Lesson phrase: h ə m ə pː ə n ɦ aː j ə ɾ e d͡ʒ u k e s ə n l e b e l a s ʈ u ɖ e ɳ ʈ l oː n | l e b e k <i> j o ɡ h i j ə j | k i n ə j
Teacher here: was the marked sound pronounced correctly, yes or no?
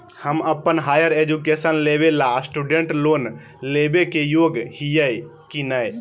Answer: no